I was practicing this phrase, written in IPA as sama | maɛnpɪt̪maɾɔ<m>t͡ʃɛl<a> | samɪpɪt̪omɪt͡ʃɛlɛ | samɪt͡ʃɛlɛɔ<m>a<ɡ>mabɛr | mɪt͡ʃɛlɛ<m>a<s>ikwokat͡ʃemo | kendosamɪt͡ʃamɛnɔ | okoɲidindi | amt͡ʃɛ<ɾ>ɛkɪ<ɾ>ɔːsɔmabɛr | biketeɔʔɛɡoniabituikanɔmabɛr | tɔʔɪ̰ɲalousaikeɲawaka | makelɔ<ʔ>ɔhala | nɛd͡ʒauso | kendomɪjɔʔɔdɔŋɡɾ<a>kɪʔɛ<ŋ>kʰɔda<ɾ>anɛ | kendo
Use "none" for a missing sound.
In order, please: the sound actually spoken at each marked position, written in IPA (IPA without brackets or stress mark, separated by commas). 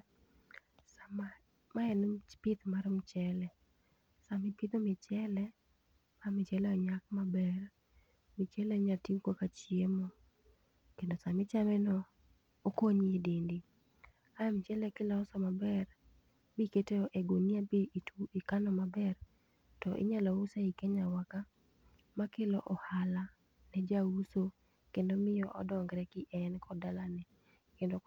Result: m, ɛ, ɲ, k, ɲ, t, l, l, ʔ, ɛ, n, l